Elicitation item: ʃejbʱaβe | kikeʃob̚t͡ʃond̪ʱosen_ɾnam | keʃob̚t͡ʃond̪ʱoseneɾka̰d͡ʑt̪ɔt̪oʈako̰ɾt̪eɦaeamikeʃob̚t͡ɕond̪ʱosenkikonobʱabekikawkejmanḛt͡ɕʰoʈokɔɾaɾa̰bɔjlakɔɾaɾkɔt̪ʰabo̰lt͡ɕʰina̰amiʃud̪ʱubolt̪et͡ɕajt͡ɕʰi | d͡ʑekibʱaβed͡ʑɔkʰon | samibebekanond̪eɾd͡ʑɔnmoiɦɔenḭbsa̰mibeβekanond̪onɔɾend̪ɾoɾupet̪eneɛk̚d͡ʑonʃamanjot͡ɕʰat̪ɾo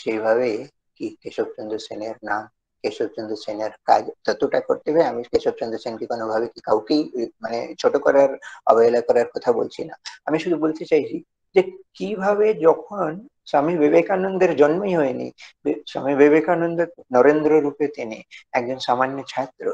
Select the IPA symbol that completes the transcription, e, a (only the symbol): e